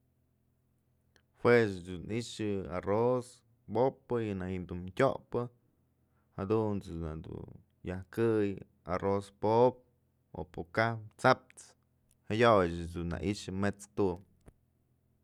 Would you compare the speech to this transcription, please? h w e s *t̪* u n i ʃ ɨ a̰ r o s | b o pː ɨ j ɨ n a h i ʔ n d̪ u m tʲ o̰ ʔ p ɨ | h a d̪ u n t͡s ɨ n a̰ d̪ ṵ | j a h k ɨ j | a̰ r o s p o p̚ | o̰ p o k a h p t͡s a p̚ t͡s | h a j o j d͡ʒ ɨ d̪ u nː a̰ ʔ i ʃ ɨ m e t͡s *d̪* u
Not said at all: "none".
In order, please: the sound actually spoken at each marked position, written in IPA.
d̪, t̪

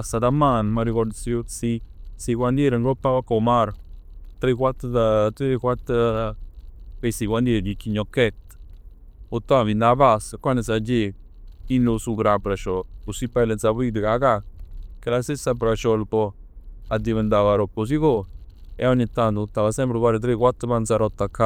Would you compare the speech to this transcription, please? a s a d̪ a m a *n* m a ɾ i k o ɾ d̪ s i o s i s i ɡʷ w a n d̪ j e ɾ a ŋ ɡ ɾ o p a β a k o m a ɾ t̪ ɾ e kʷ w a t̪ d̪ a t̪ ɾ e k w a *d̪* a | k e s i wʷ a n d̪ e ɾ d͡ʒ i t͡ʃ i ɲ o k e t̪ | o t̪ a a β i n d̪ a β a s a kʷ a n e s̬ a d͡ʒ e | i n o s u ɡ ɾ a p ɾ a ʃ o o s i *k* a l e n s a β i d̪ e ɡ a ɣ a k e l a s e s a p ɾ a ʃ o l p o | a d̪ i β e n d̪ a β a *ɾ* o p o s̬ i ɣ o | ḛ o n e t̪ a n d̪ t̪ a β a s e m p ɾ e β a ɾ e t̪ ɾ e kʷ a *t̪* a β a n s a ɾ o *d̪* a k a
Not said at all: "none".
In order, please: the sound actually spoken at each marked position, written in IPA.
n, t̪, p, ɾ, t̪, t̪

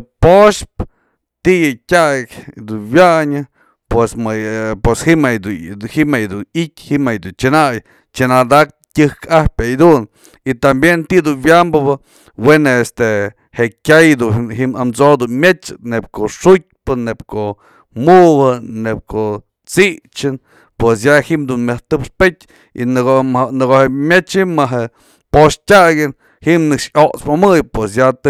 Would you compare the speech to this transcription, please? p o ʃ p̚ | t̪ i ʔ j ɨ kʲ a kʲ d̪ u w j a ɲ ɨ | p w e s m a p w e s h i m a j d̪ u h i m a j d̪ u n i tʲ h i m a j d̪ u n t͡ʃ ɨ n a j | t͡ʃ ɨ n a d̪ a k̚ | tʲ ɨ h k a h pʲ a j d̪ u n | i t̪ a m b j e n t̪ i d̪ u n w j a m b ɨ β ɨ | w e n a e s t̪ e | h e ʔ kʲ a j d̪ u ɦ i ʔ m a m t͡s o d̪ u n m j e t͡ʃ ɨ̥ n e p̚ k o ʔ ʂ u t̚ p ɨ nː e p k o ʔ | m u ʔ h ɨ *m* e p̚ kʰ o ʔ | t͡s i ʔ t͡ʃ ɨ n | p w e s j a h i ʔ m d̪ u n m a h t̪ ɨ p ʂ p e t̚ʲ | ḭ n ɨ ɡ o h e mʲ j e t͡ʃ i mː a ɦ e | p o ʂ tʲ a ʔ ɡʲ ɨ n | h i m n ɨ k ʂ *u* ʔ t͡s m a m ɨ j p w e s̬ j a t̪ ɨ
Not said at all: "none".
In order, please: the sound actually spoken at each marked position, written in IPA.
n, o

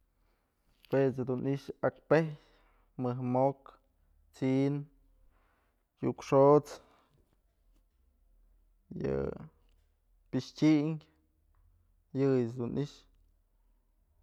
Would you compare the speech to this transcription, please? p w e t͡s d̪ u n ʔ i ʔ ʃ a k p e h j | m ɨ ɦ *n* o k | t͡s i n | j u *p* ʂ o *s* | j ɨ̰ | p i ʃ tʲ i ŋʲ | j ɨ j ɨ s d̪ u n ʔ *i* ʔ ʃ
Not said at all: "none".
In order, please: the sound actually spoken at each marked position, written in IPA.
m, k, t͡s, i

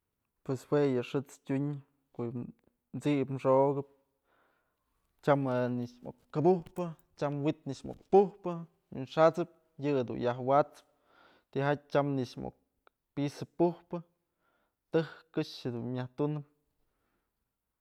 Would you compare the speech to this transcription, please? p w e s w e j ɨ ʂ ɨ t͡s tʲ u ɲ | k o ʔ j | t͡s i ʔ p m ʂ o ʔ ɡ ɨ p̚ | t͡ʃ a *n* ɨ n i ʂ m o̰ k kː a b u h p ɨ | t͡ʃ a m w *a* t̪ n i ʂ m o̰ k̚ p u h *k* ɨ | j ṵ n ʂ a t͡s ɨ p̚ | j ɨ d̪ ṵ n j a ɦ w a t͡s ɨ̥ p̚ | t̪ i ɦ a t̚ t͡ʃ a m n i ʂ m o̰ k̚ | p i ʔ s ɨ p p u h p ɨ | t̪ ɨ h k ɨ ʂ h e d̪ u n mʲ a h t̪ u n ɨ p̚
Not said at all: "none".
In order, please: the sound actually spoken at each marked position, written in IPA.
m, i, p

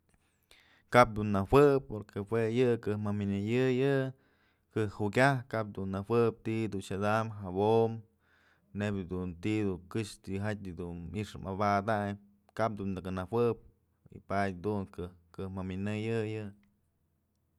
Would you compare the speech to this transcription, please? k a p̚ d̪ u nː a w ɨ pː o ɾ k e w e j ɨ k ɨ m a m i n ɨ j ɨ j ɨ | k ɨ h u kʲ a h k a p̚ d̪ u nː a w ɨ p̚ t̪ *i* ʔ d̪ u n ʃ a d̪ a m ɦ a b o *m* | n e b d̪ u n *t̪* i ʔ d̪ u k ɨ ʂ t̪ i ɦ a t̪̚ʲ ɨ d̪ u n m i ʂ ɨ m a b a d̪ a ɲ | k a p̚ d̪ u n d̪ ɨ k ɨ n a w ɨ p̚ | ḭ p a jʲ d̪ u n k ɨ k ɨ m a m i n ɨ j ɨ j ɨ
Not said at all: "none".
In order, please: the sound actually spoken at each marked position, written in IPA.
i, m, t̪

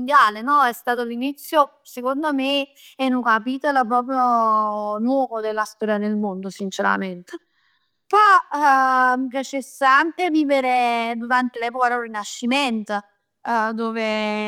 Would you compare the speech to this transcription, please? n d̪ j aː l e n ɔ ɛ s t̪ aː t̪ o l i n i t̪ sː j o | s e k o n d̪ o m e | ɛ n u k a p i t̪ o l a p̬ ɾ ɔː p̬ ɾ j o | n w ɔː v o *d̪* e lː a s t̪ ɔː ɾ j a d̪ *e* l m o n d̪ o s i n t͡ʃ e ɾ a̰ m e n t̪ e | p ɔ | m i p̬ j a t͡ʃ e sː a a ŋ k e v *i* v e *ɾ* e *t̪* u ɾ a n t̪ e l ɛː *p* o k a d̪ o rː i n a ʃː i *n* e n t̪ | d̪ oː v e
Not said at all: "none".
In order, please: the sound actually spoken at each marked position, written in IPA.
d̪, e, iː, ɾ, d̪, p, m

